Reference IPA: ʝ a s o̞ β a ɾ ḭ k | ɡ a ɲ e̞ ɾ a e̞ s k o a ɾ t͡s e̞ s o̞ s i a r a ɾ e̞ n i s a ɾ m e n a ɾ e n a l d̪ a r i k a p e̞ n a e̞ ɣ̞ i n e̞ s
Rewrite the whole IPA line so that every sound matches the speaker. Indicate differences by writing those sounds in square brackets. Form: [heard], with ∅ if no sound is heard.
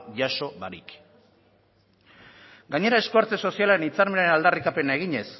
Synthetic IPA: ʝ a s o̞ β a ɾ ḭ k | ɡ a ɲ e̞ ɾ a e̞ s k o a ɾ t͡s e̞ s o̞ s i a [l] a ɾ e̞ n i [t͡s] a ɾ m e n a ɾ e n a l d̪ a r i k a p e̞ n a e̞ ɣ̞ i [ɲ] e̞ s